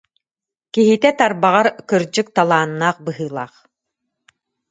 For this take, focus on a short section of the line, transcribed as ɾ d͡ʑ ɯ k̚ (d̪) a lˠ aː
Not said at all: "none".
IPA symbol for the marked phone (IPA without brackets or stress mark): t̪